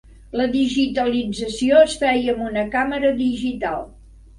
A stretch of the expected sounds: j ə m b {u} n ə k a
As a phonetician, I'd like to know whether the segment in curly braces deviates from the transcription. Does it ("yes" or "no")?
no